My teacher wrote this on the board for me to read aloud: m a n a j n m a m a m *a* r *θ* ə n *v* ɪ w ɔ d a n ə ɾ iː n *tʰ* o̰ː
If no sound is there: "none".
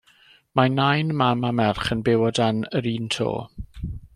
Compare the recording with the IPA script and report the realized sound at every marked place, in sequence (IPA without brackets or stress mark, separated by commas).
ɛ, χ, b, tʰ